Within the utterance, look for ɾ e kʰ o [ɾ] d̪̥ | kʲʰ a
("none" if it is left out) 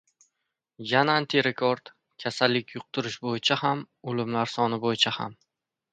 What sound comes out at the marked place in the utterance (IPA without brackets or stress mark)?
ɾ